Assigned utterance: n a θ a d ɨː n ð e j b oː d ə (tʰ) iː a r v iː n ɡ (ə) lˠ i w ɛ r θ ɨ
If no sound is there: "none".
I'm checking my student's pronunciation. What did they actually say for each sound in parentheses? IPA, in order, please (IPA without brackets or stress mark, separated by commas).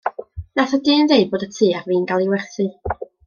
tʰ, a